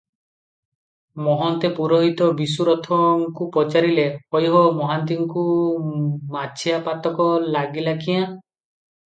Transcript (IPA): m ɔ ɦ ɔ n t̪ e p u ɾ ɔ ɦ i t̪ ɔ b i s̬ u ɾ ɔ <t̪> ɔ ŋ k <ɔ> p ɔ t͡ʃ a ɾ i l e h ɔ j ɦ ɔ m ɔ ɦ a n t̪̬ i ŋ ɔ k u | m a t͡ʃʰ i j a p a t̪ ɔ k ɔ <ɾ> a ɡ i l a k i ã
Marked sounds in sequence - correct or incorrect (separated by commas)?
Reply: incorrect, incorrect, incorrect